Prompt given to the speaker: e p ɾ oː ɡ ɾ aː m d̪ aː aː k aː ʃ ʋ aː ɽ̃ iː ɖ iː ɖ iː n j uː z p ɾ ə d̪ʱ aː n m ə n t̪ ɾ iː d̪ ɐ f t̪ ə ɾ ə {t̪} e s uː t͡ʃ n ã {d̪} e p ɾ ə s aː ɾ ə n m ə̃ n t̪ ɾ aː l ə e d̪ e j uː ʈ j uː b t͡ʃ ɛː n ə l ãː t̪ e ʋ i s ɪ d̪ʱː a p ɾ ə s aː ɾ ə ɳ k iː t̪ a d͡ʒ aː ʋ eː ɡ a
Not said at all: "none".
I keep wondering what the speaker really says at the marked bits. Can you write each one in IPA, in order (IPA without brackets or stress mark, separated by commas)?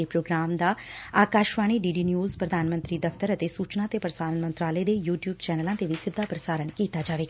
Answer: t̪, t̪